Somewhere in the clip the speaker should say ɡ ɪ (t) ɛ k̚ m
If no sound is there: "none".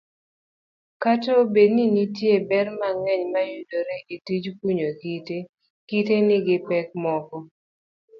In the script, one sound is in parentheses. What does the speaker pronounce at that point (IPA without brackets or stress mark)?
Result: p